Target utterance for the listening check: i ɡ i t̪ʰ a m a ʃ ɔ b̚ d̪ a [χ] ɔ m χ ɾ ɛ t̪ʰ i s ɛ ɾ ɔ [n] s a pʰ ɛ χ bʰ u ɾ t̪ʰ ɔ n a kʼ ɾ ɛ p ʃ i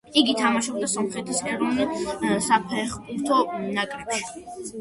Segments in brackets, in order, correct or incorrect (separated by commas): incorrect, correct